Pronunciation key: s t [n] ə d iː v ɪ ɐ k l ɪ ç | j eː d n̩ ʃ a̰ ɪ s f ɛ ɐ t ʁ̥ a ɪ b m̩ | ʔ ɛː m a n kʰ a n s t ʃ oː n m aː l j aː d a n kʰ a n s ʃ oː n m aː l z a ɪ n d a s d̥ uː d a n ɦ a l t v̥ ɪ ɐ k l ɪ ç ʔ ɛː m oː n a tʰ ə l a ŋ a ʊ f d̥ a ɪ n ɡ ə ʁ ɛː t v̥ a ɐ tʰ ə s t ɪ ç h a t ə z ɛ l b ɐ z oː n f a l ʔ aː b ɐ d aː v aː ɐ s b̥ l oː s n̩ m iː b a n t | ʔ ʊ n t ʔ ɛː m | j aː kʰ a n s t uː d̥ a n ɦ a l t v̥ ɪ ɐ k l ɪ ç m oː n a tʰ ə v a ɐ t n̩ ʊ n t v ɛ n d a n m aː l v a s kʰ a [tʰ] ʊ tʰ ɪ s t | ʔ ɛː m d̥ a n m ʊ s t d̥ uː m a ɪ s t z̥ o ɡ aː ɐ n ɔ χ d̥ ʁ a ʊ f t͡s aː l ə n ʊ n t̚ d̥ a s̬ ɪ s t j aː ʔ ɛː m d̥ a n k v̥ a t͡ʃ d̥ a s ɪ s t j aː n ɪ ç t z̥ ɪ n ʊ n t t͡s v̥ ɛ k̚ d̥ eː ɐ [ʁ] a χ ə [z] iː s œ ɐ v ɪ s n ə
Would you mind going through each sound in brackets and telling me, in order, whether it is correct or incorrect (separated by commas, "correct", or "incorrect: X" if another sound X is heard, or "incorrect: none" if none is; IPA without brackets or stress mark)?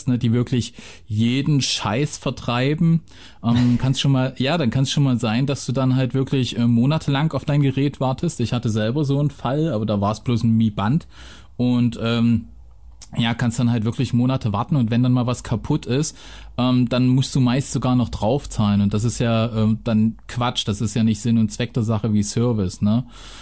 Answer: correct, incorrect: pʰ, incorrect: z, incorrect: v